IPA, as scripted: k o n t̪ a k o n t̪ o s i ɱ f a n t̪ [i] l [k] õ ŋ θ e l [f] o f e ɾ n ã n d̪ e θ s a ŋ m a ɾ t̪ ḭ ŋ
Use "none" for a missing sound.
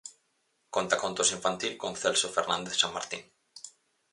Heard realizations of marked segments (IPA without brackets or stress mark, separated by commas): i, k, s